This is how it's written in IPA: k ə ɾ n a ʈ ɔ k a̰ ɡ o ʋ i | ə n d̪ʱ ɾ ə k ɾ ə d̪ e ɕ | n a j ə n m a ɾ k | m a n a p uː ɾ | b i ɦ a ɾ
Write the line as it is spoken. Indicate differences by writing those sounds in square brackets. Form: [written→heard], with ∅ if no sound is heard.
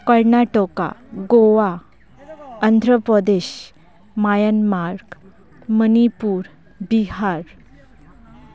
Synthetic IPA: k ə ɾ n a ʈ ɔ k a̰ ɡ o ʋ [i→a] | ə n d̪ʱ ɾ ə [k→p] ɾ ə d̪ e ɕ | [n→m] a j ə n m a ɾ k | m [a→ə] n [a→i] p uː ɾ | b i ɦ a ɾ